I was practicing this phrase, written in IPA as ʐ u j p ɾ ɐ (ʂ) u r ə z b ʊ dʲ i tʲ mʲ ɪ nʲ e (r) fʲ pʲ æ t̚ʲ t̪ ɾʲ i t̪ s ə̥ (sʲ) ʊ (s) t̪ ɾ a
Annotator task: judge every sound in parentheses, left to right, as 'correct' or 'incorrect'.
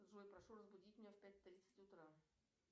correct, incorrect: none, incorrect: tʲ, incorrect: none

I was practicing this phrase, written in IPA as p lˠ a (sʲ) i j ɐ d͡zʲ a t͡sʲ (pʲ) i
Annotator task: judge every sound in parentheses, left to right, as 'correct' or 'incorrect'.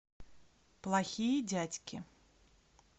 incorrect: xʲ, incorrect: kʲ

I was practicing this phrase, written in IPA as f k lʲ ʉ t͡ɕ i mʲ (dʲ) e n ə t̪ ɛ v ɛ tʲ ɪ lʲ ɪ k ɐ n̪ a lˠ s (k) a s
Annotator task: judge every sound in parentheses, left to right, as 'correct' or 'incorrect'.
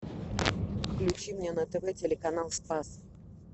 incorrect: nʲ, incorrect: p

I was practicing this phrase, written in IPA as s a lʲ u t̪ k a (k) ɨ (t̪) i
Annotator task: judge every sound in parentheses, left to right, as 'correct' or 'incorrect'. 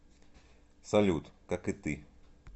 correct, correct

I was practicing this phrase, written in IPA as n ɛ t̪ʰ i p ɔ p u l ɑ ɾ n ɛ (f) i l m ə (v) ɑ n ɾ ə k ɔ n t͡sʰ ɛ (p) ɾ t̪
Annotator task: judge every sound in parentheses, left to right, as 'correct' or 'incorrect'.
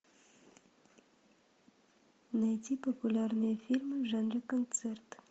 correct, incorrect: ʒ, incorrect: none

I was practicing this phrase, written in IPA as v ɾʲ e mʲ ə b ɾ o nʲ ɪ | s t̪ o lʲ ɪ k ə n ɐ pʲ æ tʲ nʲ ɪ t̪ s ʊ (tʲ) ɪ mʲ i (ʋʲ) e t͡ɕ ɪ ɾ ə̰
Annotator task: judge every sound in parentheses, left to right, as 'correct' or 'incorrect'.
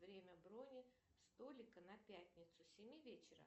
incorrect: sʲ, incorrect: vʲ

